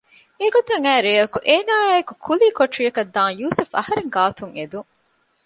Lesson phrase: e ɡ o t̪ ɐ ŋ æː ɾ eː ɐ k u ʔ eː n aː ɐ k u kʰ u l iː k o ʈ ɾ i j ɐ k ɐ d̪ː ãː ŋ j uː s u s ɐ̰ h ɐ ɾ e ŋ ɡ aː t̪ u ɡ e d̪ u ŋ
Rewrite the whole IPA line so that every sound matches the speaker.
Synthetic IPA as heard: e ɡ o t̪ ɐ ŋ æː ɾ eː ɐ k u ʔ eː n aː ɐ k u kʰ u l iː k o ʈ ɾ i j ɐ k ɐ d̪ː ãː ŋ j uː s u f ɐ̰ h ɐ ɾ e ŋ ɡ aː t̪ u ŋ e d̪ u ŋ